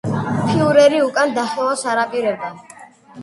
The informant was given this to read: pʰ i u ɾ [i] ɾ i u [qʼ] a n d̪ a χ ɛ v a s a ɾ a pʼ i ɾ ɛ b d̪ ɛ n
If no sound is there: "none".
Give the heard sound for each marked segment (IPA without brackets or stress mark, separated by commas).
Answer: ɛ, kʼ